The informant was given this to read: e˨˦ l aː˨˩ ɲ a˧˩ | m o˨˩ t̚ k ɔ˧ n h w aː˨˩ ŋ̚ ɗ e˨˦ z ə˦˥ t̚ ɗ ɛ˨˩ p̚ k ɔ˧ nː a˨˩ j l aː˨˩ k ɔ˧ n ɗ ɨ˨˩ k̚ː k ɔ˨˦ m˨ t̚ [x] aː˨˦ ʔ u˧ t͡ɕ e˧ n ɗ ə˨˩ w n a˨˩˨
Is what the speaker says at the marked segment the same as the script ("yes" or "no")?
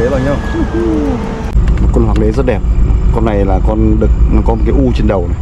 no